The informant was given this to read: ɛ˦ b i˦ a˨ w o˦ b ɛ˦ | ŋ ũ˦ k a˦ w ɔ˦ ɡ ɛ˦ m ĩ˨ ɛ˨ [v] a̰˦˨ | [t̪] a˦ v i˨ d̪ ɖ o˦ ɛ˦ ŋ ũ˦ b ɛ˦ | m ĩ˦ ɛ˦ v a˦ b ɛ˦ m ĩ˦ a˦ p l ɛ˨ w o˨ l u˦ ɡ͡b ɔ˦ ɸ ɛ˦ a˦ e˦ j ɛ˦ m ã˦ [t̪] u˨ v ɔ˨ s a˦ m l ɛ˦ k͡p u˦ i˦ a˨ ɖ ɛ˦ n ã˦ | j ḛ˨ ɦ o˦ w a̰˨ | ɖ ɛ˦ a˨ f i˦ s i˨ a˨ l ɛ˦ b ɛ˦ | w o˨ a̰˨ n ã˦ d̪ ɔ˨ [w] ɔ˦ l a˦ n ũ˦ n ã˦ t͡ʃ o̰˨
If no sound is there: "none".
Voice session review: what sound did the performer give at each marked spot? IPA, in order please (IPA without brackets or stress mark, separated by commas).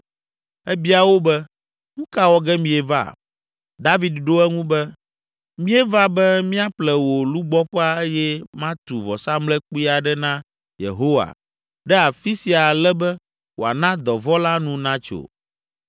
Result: v, d̪, t̪, v